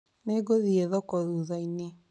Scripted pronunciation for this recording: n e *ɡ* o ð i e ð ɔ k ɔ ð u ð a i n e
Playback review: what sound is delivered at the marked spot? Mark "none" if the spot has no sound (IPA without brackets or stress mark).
ɡ